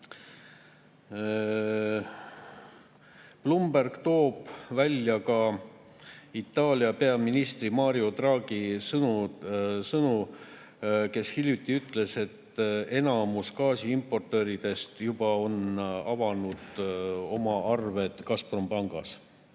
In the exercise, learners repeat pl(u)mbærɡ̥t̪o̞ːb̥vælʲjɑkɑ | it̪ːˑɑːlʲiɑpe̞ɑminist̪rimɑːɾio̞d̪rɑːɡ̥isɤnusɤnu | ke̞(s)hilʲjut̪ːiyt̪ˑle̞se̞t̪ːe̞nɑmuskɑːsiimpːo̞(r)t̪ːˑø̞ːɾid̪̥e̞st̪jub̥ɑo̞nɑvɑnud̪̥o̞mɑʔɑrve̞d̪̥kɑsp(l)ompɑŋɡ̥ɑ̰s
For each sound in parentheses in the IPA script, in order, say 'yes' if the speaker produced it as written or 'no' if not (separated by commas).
yes, yes, yes, no